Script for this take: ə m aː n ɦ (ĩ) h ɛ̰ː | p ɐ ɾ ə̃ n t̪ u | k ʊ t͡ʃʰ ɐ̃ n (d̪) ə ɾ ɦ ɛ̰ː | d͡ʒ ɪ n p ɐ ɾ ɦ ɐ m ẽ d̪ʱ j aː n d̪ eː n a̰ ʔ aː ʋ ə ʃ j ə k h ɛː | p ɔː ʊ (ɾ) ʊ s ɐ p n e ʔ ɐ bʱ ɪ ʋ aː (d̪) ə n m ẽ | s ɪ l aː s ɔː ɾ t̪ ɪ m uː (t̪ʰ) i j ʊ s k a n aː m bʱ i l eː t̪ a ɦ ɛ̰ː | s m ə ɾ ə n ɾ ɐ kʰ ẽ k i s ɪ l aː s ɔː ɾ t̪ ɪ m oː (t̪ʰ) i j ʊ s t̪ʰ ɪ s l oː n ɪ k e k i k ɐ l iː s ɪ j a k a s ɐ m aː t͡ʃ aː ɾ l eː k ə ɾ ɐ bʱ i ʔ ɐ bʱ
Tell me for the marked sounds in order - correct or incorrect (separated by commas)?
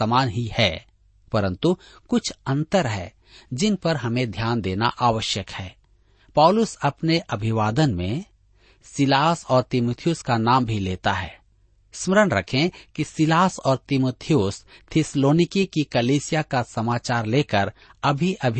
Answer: incorrect, incorrect, incorrect, correct, correct, correct